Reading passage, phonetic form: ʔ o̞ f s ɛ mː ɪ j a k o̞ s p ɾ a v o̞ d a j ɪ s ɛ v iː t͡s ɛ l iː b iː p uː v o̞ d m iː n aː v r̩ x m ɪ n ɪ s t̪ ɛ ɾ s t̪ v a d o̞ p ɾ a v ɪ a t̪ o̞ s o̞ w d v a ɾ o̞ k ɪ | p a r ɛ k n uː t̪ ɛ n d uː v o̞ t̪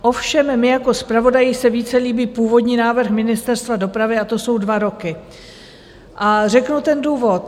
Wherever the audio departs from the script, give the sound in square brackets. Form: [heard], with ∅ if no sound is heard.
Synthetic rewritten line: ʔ o̞ f [ʃ] ɛ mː ɪ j a k o̞ s p ɾ a v o̞ d a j ɪ s ɛ v iː t͡s ɛ l iː b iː p uː v o̞ d [ɲ] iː n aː v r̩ x m ɪ n ɪ s t̪ ɛ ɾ s t̪ v a d o̞ p ɾ a v ɪ a t̪ o̞ s o̞ w d v a ɾ o̞ k ɪ | [ʔ] a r ɛ k n [u] t̪ ɛ n d uː v o̞ t̪